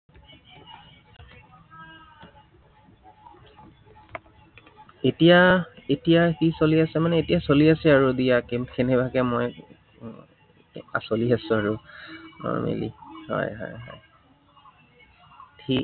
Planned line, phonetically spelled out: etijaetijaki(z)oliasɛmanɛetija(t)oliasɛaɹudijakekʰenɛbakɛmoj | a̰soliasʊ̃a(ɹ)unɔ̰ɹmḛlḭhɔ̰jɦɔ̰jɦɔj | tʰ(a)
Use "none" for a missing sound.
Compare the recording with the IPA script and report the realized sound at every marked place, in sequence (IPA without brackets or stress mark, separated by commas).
s, s, ɹ, i